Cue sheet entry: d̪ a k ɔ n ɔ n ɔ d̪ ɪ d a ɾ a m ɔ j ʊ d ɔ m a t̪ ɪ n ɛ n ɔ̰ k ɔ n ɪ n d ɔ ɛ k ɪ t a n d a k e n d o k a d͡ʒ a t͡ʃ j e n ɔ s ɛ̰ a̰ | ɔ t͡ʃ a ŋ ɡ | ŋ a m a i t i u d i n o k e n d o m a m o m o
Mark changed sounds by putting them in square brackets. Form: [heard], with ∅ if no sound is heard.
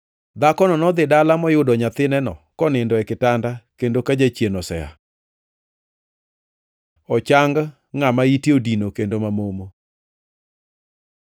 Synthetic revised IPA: d̪ a k ɔ n ɔ n ɔ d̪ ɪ d a [l] a m ɔ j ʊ d ɔ [ɲ] a t̪ ɪ n ɛ n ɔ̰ k ɔ n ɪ n d ɔ ɛ k ɪ t a n d a k e n d o k a d͡ʒ a t͡ʃ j e n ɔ s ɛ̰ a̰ | ɔ t͡ʃ a ŋ ɡ | ŋ a m a i t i [o] d i n o k e n d o m a m o m o